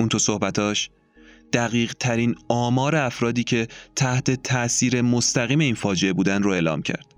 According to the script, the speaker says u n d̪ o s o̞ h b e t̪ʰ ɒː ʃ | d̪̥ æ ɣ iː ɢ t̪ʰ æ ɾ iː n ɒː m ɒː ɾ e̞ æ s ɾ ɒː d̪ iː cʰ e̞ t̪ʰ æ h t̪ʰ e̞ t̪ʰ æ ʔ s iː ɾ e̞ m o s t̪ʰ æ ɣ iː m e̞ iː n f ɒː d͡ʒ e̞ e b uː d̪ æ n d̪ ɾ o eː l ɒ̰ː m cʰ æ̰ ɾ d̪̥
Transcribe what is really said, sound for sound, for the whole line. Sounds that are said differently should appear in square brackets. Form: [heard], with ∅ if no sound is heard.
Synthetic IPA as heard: u n [t̪] o s o̞ h b [æ] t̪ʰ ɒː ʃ | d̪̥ æ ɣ iː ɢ t̪ʰ æ ɾ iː n ɒː m ɒː ɾ e̞ æ [f] ɾ ɒː d̪ iː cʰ e̞ t̪ʰ æ h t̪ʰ e̞ t̪ʰ æ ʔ s iː ɾ e̞ m o s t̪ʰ æ ɣ iː m e̞ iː n f ɒː d͡ʒ e̞ e b uː d̪ æ n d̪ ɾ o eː l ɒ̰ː m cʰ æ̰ ɾ d̪̥